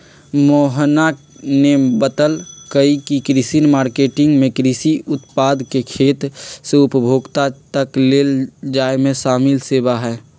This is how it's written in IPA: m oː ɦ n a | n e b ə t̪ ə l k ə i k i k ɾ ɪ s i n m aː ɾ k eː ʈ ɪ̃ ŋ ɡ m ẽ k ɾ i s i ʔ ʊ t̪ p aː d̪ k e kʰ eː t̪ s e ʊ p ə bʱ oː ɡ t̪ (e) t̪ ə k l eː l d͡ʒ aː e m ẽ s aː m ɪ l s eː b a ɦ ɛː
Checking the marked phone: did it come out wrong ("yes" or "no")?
yes